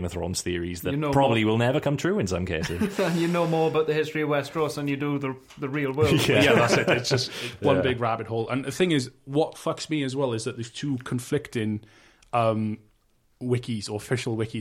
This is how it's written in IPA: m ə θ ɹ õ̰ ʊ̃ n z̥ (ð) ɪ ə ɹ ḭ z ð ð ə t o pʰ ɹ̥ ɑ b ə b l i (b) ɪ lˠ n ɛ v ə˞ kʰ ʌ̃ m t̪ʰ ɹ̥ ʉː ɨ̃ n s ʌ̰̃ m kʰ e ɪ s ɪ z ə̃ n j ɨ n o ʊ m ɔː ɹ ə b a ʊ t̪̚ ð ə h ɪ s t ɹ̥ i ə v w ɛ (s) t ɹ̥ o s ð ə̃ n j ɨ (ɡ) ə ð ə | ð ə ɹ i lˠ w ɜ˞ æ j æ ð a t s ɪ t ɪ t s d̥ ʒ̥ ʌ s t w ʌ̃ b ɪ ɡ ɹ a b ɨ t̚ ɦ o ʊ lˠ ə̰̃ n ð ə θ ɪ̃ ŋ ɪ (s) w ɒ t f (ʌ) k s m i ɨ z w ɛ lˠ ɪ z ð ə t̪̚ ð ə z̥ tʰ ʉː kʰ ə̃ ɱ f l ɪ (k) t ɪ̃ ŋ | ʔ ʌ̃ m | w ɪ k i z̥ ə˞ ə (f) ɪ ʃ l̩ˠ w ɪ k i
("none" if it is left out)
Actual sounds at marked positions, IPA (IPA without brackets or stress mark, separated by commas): θ, w, s, d, z, ʌ, k, f